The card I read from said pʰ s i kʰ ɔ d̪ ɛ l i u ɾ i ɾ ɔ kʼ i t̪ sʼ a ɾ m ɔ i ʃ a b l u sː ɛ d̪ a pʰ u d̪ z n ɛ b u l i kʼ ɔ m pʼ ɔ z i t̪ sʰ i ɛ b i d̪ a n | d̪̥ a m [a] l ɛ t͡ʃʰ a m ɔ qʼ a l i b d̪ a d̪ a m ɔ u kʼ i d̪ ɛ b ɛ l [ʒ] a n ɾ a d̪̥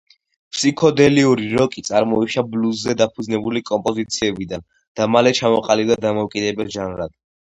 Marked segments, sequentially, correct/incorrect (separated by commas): correct, correct